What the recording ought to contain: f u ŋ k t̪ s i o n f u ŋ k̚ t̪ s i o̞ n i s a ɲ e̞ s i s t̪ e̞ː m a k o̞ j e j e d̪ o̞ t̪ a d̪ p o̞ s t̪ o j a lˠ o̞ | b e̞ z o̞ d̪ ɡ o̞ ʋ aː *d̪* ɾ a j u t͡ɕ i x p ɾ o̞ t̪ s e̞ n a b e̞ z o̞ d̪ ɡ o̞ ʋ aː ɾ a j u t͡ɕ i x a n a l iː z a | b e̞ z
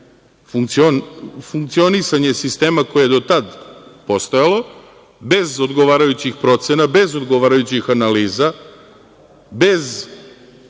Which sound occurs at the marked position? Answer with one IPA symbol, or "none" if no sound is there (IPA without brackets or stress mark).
none